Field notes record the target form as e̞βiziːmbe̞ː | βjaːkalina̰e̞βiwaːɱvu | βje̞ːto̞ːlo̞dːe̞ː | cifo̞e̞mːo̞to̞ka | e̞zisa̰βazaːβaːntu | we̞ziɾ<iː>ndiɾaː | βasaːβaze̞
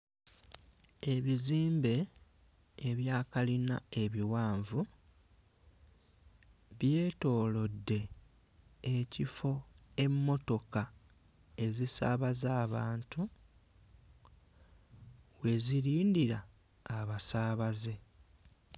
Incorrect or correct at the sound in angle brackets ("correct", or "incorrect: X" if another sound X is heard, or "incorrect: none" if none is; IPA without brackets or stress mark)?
correct